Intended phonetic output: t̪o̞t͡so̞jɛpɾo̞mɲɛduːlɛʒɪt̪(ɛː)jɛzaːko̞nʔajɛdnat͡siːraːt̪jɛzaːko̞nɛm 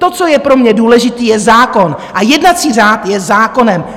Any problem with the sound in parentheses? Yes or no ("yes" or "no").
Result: yes